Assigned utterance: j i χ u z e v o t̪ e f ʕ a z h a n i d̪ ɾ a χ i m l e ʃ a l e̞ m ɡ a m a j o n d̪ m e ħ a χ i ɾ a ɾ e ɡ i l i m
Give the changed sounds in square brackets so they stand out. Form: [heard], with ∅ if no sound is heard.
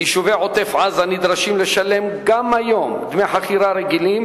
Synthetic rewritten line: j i [ʃ] u [v] e [ʕ] o t̪ e f ʕ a z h a n i d̪ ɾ a [ʃ] i m l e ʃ a l e̞ m ɡ a m a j o [m] d̪ m e ħ a χ i ɾ a ɾ e ɡ i l i m